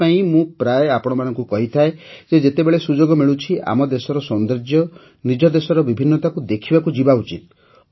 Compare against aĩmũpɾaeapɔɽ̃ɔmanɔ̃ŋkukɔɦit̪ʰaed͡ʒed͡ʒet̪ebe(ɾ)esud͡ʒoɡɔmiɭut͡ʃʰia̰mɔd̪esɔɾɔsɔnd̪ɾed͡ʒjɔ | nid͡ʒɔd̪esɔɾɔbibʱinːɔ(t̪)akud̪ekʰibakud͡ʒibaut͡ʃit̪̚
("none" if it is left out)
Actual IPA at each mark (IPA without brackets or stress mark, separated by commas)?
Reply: ɭ, t̪